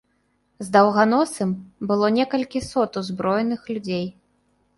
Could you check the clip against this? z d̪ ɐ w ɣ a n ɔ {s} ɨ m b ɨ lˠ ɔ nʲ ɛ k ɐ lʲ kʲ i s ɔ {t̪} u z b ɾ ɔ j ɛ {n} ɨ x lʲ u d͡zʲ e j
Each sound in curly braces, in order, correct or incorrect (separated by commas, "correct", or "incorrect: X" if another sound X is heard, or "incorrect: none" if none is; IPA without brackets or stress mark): correct, correct, correct